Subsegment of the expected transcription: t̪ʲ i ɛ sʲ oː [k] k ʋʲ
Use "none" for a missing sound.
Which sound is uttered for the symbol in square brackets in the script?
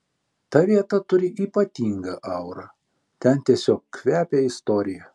k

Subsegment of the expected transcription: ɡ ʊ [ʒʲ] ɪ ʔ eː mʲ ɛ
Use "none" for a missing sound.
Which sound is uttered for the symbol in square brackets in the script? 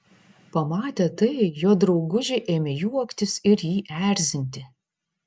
ʒʲ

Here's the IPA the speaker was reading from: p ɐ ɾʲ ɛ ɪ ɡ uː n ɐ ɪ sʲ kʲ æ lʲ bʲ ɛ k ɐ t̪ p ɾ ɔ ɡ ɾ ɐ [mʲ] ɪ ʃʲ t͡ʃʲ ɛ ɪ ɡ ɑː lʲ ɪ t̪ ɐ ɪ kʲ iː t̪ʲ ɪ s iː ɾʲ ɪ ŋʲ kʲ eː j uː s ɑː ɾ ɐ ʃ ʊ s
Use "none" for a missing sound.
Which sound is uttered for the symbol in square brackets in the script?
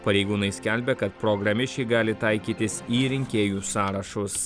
mʲ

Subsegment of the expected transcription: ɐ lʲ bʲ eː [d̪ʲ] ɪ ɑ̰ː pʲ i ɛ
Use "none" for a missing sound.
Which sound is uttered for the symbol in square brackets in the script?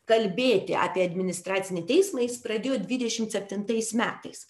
t̪ʲ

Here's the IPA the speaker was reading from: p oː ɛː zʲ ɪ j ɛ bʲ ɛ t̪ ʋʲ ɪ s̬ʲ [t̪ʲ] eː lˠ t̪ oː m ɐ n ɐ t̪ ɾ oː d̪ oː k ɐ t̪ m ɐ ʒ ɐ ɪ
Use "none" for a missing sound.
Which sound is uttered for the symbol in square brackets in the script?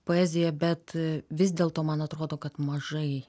d̪ʲ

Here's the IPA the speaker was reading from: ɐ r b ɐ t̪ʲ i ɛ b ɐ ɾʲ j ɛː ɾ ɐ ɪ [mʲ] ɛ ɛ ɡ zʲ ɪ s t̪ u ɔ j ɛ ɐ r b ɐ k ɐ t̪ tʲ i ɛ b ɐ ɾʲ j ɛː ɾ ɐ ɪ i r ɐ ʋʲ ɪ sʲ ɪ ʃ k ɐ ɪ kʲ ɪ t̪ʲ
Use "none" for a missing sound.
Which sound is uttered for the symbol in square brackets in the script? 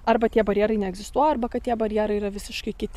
nʲ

